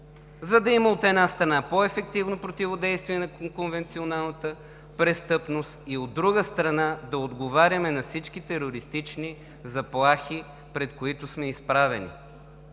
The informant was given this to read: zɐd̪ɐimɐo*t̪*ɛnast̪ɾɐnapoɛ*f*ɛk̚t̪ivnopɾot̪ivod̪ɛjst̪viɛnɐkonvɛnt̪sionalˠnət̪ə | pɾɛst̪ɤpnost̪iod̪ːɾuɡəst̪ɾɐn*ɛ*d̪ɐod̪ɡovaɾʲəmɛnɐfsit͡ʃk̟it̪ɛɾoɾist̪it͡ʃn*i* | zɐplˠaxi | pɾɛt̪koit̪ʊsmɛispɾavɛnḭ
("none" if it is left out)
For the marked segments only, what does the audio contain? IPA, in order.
t̪, f, a, i

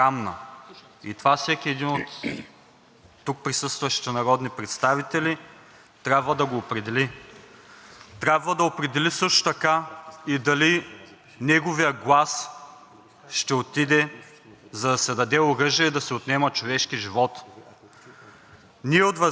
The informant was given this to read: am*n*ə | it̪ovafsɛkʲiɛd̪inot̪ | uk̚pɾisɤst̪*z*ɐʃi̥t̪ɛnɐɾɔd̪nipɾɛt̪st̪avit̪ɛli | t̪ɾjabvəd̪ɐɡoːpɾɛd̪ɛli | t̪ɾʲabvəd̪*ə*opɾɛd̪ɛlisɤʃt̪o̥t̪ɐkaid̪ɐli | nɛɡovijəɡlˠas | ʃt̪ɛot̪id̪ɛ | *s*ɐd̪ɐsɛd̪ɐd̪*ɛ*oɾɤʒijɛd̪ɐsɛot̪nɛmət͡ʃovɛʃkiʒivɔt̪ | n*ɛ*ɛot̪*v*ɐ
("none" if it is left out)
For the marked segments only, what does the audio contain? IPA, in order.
n, v, ɐ, z, ɛ, i, v

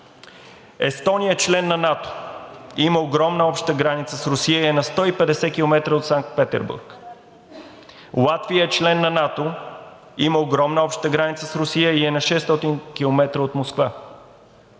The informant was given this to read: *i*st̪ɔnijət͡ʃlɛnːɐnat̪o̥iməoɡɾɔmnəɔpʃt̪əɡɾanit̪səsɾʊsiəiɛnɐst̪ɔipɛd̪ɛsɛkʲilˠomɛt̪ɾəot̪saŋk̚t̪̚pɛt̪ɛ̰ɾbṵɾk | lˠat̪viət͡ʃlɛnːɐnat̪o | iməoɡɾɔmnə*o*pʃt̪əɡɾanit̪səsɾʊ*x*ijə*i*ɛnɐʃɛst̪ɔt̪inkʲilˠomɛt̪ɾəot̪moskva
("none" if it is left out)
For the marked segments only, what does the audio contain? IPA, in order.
ɛ, ɔ, s, i

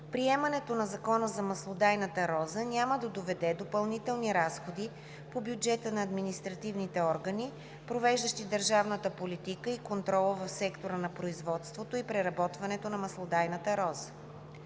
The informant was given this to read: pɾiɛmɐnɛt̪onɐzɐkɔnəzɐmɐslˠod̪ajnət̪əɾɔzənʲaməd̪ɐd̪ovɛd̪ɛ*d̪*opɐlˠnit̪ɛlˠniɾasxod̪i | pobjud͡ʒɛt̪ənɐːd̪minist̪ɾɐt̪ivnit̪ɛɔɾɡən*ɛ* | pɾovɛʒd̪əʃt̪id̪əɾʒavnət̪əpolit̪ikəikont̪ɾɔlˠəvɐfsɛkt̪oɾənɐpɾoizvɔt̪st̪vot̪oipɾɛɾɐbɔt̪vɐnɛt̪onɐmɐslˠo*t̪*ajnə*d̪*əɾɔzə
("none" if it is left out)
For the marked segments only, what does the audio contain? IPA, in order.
d̪, i, d̪, t̪

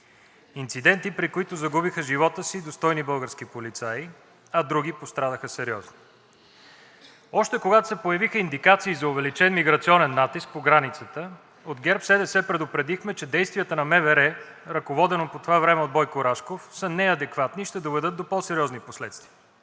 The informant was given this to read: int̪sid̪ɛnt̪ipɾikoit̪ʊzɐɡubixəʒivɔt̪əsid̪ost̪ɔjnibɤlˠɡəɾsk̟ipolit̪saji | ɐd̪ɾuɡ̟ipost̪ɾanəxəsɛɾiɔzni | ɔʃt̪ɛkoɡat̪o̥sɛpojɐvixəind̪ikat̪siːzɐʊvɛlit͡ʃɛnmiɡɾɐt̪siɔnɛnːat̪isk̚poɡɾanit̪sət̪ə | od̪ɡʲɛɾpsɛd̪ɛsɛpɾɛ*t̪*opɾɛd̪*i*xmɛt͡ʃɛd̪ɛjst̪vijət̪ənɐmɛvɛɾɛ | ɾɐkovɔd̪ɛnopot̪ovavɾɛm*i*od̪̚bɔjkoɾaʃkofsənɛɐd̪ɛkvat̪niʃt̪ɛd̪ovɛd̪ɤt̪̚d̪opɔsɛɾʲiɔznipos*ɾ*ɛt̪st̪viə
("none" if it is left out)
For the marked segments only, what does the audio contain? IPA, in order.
d̪, i, ɛ, l

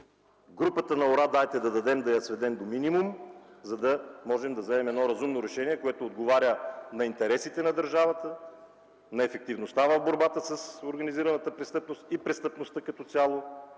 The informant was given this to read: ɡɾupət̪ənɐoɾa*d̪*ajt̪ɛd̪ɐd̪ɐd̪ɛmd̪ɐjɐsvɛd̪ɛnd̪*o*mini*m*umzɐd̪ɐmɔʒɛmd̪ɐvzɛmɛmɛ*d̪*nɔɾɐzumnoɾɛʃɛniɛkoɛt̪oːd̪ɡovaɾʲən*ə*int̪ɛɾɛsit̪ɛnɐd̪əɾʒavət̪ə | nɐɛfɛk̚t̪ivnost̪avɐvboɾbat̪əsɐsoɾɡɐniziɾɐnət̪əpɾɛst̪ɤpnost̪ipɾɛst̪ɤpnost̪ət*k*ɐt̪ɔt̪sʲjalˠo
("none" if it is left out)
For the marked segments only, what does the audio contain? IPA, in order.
d̪, o, m, d̪, ɐ, k

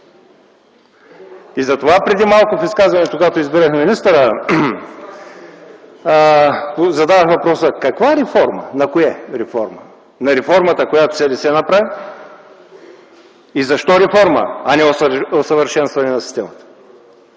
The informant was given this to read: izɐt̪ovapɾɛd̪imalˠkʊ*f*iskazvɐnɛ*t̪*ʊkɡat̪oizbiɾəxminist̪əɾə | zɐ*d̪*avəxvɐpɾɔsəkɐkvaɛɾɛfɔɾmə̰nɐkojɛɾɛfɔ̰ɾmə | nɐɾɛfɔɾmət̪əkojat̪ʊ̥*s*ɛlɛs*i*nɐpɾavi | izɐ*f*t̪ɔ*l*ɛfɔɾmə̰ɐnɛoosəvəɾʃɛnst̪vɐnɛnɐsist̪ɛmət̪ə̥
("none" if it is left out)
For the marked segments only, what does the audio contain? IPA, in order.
f, t̪, d̪, s, ɛ, ʃ, ɾ

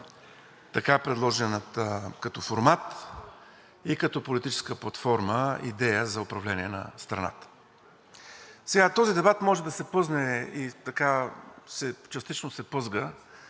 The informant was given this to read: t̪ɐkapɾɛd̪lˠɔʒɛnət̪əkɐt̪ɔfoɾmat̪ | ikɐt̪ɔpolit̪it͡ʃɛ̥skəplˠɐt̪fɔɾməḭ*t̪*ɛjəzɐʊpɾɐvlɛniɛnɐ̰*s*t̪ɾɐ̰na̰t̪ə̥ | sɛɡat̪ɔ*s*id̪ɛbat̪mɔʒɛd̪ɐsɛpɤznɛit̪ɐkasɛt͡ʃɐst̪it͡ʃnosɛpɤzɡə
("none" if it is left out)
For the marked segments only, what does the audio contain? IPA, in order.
d̪, s, z

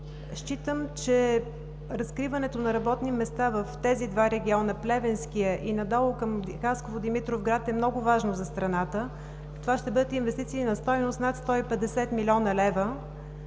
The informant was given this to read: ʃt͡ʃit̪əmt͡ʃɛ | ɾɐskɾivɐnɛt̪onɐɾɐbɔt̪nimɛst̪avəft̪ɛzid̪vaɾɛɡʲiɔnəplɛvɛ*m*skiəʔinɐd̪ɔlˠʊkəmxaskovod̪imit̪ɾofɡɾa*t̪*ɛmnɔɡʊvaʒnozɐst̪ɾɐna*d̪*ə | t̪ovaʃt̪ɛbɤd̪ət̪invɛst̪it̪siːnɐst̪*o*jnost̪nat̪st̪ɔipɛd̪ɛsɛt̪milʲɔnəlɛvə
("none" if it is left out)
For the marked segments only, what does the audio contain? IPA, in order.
n, t̪, t̪, ɔ

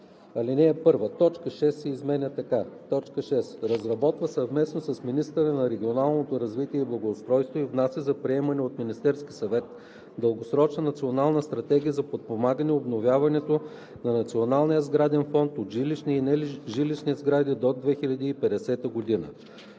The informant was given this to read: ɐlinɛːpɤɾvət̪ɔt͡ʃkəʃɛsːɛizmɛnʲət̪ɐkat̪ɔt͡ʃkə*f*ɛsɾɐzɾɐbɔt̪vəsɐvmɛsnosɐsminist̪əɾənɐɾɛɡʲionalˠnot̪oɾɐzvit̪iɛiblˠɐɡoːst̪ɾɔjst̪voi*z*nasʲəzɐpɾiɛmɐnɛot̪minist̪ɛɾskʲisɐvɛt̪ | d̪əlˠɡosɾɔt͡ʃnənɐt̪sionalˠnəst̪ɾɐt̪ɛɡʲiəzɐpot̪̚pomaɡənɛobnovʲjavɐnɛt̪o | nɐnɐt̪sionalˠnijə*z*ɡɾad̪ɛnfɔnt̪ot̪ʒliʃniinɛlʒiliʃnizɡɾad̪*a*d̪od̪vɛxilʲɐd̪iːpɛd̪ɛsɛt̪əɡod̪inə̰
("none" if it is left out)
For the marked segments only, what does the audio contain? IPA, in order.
ʃ, v, z, i

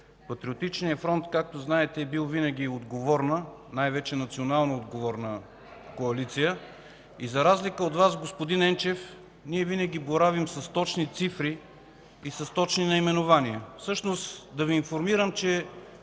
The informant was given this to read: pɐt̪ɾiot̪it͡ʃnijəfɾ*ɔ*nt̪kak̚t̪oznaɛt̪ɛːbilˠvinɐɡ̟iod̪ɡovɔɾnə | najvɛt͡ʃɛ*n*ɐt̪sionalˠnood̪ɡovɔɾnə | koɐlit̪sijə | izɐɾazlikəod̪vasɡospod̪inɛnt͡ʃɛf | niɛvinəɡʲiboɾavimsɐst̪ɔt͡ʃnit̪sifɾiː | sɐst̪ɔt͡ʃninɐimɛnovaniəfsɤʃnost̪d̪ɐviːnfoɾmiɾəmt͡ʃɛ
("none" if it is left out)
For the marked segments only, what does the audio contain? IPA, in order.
ɔ, n

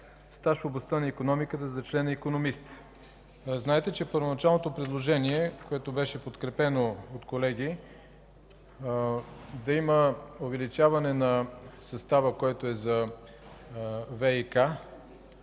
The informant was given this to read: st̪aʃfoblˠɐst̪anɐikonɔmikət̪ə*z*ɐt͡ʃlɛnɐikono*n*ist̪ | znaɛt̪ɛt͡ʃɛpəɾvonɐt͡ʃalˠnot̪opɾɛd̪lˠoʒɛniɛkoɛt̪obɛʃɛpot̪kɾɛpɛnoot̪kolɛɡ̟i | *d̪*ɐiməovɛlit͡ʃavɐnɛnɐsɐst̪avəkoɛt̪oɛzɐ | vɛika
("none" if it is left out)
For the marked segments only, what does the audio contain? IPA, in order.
z, m, d̪

